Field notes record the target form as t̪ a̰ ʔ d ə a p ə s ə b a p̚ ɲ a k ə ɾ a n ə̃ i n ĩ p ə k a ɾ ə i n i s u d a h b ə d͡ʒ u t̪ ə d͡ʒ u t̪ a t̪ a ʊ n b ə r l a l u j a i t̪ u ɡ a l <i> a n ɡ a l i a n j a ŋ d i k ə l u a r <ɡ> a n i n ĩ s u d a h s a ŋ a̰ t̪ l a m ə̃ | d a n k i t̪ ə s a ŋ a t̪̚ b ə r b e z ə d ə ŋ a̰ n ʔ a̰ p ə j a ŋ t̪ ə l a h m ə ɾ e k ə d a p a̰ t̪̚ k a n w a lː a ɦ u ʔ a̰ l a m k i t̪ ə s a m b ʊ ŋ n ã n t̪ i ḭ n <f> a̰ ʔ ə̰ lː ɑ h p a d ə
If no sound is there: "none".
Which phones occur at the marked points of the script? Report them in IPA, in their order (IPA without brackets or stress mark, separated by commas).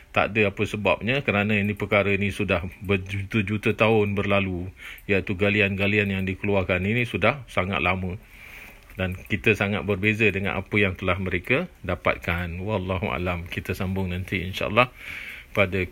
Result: i, k, ʃ